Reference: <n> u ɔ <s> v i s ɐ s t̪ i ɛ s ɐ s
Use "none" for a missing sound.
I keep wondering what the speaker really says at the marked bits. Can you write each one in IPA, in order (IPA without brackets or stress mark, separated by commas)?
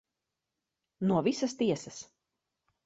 n, none